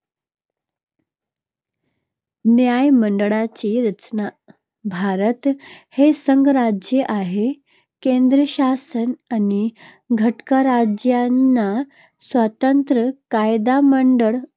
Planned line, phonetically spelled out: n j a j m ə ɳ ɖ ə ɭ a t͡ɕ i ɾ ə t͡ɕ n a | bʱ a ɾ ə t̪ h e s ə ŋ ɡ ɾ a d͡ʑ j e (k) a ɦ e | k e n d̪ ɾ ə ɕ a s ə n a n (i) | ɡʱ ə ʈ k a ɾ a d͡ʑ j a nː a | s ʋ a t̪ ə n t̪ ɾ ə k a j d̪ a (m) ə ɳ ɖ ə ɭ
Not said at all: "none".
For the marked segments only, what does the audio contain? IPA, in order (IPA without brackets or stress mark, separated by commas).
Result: ʔ, i, m